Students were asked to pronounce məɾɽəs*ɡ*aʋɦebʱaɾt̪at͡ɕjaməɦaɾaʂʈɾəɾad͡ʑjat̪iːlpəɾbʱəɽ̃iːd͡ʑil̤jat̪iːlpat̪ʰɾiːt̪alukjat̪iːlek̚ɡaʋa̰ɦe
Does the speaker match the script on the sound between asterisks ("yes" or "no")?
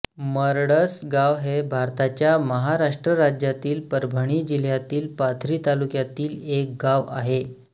yes